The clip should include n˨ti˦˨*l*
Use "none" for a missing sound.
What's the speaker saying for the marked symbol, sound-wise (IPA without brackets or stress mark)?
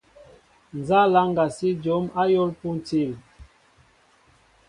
l